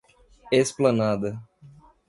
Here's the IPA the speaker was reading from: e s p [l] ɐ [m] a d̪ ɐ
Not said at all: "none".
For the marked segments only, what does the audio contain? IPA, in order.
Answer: l, n

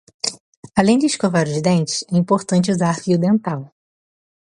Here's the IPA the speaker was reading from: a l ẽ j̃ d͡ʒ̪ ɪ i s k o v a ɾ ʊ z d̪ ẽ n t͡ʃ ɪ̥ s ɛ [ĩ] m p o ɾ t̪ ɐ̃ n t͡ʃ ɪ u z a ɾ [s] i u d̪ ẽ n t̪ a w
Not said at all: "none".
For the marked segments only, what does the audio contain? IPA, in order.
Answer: ĩ, f

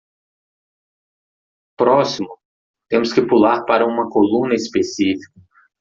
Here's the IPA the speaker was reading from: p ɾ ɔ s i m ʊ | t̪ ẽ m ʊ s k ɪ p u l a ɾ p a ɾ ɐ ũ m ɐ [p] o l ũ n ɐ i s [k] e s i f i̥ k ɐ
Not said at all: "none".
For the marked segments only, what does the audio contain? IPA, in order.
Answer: k, p

